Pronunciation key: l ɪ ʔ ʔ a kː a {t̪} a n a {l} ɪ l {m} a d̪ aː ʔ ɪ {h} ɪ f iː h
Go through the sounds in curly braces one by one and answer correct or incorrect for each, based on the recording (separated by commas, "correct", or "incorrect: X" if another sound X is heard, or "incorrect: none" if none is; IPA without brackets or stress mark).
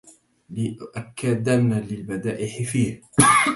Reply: incorrect: d̪, correct, incorrect: b, incorrect: ħ